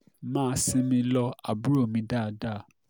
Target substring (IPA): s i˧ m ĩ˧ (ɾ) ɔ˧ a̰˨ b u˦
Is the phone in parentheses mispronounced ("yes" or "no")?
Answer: yes